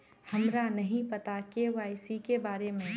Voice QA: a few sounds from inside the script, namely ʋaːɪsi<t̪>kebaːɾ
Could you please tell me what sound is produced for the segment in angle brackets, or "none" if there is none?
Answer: none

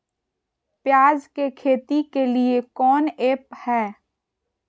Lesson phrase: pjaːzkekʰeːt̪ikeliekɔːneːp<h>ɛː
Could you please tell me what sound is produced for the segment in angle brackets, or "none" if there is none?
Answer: h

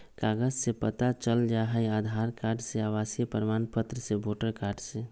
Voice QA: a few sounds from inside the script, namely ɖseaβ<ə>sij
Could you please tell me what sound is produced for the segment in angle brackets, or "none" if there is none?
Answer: a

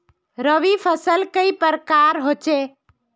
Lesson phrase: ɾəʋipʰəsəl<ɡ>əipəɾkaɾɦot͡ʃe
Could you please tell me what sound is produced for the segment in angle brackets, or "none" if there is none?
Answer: k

